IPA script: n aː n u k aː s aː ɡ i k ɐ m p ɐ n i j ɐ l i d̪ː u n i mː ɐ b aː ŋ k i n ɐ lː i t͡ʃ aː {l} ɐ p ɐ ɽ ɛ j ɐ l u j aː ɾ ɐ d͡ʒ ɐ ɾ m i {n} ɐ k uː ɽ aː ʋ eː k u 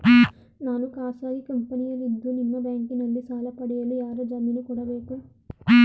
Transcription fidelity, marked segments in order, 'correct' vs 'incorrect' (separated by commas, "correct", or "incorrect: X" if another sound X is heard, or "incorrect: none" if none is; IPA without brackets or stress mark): correct, correct